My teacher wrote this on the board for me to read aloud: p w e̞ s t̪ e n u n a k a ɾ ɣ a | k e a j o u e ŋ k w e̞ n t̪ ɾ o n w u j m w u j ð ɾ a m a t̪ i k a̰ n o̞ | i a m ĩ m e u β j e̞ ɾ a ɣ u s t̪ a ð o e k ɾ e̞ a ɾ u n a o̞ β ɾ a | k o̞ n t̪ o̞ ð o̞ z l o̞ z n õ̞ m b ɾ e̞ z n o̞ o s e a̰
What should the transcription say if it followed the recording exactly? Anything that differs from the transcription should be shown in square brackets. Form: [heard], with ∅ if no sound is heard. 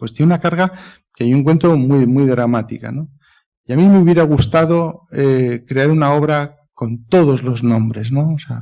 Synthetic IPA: p w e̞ s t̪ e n u n a k a ɾ ɣ a | k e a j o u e ŋ k w e̞ n t̪ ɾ o [m] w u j m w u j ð ɾ a m a t̪ i k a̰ n o̞ | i a m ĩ m e u β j e̞ ɾ a ɣ u s t̪ a ð o e k ɾ e̞ a ɾ u n a o̞ β ɾ a | k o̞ n t̪ o̞ ð o̞ z l o̞ z n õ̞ m b ɾ e̞ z n o̞ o s e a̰